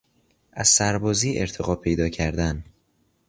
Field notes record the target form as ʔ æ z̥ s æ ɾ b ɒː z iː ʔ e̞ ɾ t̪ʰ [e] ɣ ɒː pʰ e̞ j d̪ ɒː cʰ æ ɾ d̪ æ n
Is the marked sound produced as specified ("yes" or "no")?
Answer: yes